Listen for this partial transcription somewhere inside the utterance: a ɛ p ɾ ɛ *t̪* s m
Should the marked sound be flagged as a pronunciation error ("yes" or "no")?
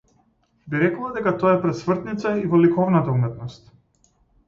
no